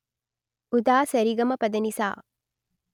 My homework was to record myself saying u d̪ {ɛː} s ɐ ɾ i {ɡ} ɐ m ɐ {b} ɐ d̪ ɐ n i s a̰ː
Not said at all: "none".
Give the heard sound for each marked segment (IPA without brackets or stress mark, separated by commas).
aː, ɡ, p